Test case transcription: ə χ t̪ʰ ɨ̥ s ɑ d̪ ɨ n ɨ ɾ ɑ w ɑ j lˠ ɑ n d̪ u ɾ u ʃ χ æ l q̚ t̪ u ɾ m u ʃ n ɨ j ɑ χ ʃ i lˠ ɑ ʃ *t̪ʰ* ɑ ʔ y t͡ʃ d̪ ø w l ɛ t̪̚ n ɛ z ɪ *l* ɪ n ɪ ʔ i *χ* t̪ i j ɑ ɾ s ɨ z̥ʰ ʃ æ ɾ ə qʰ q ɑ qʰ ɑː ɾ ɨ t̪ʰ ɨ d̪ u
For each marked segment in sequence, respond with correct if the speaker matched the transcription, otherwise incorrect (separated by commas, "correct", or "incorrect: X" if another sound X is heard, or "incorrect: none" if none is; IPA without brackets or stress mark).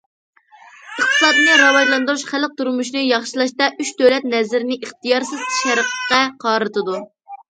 incorrect: t̪, incorrect: ɾ, correct